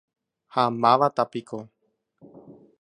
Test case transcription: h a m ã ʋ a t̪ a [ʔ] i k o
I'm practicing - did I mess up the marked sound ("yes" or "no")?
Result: yes